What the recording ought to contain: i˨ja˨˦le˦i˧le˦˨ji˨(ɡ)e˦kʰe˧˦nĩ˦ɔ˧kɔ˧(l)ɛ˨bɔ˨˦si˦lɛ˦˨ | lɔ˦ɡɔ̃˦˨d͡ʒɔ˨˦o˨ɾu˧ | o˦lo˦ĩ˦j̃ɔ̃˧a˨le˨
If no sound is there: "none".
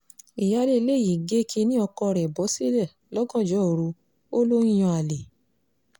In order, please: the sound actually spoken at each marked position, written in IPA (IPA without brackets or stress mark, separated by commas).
ɡ, ɾ